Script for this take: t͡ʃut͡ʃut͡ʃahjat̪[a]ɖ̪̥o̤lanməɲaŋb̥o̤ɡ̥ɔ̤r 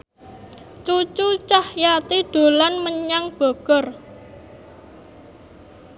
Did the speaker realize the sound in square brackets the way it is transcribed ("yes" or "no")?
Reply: no